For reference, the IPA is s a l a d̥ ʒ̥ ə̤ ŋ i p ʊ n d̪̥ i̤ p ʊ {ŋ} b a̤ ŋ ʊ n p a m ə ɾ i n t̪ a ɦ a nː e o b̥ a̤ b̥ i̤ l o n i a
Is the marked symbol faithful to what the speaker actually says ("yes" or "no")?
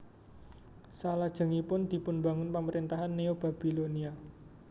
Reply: no